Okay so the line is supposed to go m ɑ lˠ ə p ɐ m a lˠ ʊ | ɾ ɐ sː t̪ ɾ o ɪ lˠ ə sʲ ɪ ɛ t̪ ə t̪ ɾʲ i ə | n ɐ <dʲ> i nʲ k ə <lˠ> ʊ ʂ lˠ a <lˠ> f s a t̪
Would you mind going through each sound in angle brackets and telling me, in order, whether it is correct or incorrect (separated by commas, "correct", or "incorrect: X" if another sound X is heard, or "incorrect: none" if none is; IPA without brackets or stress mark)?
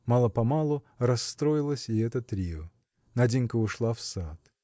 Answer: correct, incorrect: none, incorrect: none